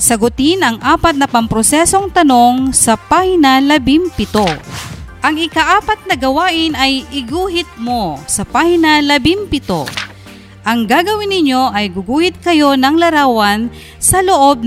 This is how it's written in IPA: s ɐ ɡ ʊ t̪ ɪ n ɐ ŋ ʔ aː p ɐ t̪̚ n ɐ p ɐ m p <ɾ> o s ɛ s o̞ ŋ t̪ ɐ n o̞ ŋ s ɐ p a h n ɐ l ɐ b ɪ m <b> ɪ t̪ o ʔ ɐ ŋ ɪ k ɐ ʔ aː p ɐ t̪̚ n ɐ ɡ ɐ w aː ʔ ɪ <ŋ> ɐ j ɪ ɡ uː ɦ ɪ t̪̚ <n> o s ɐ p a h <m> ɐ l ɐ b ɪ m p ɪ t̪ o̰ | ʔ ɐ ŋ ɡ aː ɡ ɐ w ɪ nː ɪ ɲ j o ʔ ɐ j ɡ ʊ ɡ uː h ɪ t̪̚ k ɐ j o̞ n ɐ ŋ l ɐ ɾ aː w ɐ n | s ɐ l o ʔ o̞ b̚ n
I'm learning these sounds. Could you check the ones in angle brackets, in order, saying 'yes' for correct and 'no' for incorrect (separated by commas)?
yes, no, no, no, no